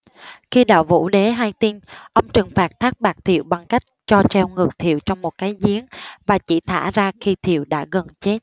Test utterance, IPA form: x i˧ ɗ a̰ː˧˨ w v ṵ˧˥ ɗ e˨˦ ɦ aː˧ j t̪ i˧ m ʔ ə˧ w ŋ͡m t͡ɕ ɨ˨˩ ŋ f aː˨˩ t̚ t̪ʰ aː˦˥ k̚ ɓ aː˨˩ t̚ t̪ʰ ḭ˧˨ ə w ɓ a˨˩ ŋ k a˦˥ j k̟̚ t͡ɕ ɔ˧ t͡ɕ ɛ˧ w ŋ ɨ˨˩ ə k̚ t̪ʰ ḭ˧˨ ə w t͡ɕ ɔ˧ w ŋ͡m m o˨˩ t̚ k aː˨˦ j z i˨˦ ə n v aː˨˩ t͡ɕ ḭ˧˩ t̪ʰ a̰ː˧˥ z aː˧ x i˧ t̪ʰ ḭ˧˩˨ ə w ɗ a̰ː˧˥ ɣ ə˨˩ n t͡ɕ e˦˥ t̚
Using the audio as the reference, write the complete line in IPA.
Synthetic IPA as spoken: x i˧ ɗ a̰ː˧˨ w v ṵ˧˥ ɗ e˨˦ ɦ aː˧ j t̪ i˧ n ʔ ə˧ w ŋ͡m t͡ɕ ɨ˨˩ ŋ f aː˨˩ t̚ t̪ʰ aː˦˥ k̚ ɓ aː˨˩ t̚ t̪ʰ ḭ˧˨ ə w ɓ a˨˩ ŋ k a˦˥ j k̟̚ t͡ɕ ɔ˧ t͡ɕ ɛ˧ w ŋ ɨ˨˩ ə k̚ t̪ʰ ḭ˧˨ ə w t͡ɕ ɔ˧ w ŋ͡m m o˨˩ t̚ k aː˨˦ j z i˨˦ ə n v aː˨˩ t͡ɕ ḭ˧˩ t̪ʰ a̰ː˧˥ z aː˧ x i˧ t̪ʰ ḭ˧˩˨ ə w ɗ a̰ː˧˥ ɣ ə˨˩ n t͡ɕ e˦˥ t̚